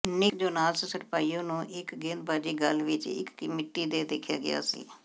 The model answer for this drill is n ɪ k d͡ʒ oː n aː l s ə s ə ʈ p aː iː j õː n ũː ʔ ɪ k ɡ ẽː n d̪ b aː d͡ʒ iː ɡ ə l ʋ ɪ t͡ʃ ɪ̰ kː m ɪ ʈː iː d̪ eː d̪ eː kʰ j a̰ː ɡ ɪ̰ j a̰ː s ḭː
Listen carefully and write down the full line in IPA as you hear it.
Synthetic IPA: n ɪ k d͡ʒ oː n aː l s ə s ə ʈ p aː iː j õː n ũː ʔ ɪ k ɡ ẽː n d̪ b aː d͡ʒ iː ɡ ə l ʋ ɪ t͡ʃ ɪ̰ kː m ɪ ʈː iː d̪ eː d̪ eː kʰ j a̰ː ɡ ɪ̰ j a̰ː s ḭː